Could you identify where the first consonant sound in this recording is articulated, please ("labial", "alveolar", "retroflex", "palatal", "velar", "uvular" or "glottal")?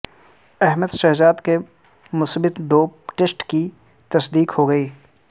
glottal